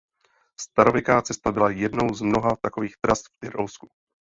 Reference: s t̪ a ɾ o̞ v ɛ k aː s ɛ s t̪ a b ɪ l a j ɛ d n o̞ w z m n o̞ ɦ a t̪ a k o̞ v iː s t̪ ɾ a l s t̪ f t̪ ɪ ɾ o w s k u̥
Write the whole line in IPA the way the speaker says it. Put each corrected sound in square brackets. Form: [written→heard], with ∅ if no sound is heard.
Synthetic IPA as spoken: s t̪ a ɾ o̞ v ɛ k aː [s→t͡s] ɛ s t̪ a b ɪ l a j ɛ d n o̞ w z m n o̞ ɦ a t̪ a k o̞ v iː [s→x] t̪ ɾ a [l→∅] s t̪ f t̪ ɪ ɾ o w s k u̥